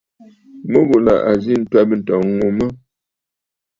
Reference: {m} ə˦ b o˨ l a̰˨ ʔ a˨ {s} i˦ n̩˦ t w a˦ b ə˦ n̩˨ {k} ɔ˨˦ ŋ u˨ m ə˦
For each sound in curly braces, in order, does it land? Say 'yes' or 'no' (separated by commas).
yes, no, no